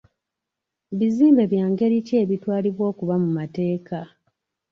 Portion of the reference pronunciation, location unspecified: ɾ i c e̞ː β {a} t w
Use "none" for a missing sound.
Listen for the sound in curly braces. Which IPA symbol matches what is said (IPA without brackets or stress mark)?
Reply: i